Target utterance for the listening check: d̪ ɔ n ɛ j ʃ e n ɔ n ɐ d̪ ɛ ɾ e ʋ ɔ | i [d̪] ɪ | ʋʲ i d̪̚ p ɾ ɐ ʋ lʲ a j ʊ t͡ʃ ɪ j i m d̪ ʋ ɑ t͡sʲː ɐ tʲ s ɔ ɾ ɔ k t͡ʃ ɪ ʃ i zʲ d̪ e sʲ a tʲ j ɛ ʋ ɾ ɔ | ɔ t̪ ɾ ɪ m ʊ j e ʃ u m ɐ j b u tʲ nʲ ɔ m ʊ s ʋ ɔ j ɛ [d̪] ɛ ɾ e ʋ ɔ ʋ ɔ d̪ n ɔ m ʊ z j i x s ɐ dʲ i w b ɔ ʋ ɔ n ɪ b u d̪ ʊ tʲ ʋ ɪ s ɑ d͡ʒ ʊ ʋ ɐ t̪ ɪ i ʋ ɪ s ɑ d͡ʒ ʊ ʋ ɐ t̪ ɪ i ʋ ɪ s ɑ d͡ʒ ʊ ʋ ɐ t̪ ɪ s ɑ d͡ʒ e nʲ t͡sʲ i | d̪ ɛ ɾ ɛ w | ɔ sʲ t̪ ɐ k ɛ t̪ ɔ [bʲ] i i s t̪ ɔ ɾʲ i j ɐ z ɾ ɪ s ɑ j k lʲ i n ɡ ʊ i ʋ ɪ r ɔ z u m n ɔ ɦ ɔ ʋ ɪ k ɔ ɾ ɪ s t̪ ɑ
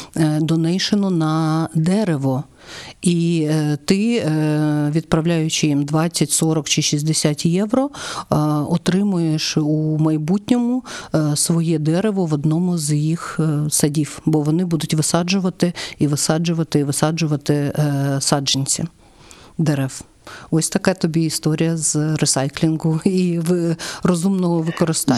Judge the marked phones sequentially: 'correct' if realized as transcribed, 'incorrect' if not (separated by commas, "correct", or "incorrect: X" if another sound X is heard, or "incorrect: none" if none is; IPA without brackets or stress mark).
incorrect: t̪, correct, correct